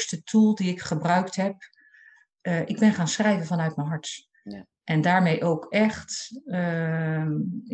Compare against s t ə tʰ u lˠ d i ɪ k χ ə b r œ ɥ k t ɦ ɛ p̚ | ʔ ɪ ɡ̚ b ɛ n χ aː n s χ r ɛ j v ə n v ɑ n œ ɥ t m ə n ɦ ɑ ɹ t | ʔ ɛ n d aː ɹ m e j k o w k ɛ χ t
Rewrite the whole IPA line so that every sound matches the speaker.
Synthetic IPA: s t ə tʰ u lˠ d i ɪ k χ ə b r œ ɥ k t ɦ ɛ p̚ | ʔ ɪ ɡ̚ b ɛ n χ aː n s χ r ɛ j v ə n v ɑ n œ ɥ t m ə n ɦ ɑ ɹ t | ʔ ɛ n d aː ɹ m e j ʔ o w k ɛ χ t